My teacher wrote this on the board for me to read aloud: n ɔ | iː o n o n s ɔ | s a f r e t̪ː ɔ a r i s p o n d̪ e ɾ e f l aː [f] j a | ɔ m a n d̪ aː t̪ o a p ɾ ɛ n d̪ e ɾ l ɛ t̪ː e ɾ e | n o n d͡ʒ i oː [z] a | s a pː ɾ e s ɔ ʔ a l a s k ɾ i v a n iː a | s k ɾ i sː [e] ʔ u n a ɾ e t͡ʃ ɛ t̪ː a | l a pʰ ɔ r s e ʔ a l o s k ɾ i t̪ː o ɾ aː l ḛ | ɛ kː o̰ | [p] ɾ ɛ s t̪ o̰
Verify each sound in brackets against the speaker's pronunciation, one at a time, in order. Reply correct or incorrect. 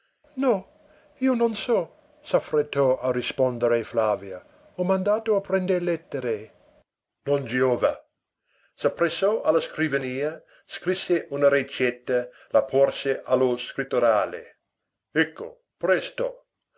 incorrect: v, incorrect: v, correct, correct

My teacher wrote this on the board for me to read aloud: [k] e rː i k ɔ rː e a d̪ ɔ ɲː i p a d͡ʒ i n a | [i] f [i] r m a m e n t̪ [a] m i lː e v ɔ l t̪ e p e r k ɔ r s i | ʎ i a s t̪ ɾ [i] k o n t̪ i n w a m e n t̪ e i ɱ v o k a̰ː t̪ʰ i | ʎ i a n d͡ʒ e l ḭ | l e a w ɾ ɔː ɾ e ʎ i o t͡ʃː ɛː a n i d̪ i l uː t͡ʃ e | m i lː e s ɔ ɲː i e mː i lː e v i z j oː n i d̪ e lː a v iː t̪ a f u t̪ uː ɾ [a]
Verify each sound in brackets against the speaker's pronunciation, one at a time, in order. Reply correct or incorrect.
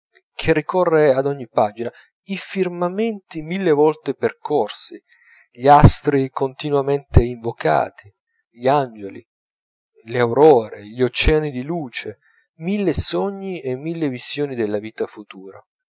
incorrect: kʰ, correct, correct, incorrect: i, correct, correct

